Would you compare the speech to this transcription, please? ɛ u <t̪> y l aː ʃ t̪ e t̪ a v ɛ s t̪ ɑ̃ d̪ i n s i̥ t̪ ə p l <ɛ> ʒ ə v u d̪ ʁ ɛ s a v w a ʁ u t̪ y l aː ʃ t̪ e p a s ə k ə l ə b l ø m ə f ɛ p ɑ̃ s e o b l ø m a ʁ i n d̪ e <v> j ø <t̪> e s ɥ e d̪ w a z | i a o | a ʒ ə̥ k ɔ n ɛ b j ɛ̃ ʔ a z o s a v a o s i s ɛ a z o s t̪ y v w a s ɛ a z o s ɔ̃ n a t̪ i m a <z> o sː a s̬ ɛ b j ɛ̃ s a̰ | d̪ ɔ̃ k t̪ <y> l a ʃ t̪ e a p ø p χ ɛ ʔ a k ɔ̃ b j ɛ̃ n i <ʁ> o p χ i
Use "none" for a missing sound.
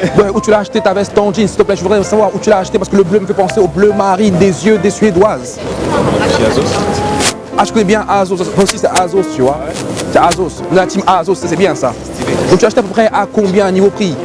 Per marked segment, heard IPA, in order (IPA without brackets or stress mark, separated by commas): t̪, ɛ, z, d̪, z, y, v